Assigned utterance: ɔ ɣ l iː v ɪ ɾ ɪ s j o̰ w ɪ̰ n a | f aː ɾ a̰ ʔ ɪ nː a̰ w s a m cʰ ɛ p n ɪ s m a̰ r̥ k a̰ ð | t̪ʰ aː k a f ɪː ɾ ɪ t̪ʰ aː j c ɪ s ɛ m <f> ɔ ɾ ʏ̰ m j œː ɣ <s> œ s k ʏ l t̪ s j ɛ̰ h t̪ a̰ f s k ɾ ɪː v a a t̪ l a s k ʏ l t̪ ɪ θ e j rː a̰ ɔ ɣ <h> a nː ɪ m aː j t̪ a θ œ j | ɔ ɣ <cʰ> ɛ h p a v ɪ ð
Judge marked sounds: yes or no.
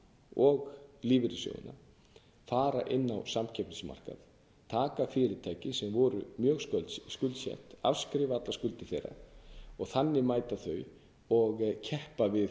no, yes, no, yes

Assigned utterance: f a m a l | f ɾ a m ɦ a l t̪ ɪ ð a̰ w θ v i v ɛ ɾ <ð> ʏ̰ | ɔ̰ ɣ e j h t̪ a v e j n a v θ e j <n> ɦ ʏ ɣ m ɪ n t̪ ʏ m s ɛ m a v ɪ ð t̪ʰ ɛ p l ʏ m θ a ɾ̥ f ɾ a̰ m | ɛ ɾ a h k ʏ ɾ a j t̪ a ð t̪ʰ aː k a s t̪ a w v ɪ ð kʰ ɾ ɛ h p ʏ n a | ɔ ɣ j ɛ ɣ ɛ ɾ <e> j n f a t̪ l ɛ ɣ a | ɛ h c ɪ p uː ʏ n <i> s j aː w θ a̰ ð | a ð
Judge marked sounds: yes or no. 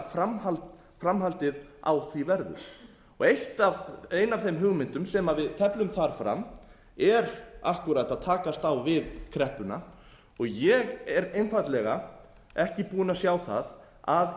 yes, no, yes, no

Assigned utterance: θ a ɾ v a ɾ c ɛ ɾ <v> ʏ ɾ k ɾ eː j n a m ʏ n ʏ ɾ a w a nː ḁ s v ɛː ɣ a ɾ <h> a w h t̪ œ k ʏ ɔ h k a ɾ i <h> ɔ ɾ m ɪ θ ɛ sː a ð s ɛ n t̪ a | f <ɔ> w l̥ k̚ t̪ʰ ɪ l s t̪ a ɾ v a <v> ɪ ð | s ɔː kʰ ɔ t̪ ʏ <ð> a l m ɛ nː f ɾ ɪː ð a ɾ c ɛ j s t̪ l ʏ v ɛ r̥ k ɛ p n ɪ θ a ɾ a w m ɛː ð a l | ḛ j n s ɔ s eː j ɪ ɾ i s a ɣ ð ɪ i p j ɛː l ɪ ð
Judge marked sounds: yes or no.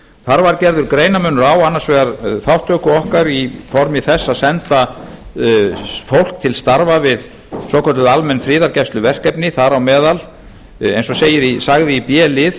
no, no, no, no, yes, yes

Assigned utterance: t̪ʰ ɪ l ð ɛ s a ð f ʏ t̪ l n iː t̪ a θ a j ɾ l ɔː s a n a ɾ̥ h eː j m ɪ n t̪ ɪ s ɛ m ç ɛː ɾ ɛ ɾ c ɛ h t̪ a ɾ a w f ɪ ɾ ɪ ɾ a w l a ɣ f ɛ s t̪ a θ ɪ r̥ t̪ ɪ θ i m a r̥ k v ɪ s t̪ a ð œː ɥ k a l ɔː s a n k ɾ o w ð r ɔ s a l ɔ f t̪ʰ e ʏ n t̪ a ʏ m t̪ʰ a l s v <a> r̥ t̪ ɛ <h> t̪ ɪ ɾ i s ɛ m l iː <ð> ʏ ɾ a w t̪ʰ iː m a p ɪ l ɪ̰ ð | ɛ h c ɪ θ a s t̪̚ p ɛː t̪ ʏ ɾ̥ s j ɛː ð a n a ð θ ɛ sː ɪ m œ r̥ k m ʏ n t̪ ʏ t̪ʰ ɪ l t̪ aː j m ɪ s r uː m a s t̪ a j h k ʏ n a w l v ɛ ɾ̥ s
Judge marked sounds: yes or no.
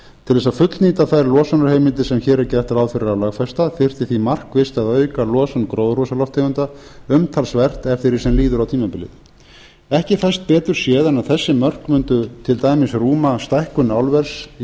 no, no, yes

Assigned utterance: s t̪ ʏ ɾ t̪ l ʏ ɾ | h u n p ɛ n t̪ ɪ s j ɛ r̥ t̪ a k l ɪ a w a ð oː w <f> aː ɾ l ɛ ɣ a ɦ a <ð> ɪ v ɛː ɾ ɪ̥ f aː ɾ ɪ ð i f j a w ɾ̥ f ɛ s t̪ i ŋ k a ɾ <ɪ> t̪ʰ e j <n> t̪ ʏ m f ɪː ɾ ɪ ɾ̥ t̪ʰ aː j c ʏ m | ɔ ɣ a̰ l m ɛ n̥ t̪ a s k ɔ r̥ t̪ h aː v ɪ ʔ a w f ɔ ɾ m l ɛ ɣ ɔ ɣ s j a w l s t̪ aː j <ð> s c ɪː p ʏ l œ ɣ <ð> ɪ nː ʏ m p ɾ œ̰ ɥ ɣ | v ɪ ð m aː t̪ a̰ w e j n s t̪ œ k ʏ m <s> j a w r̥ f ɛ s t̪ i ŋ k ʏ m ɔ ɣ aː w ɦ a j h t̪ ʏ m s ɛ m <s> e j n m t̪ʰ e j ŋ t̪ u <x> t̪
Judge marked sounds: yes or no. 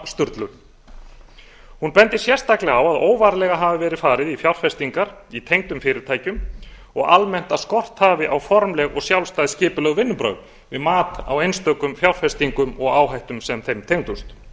no, no, no, no, yes, no, no, no, no

